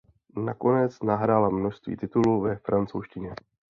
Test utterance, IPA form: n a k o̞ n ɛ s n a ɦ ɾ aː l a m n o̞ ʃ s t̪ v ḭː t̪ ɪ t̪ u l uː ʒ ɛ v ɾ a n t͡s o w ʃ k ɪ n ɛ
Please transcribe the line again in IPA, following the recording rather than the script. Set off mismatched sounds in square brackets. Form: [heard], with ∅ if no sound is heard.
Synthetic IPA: n a k o̞ n ɛ [t͡s] n a ɦ ɾ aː l a m n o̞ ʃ s t̪ v ḭː t̪ ɪ t̪ u l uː [v] ɛ [f] ɾ a n t͡s o w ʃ [c] ɪ [ɲ] ɛ